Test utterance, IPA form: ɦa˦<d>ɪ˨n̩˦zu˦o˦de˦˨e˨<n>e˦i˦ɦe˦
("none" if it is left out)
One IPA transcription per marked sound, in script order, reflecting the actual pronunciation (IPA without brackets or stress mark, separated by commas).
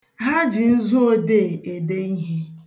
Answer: d͡ʒ, d